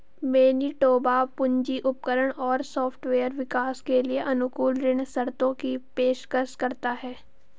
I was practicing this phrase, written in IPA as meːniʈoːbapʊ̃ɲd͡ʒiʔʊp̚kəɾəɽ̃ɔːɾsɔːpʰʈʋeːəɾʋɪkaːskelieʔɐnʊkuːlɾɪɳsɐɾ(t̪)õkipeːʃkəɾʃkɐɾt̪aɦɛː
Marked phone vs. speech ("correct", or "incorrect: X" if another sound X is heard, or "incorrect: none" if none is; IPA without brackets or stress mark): correct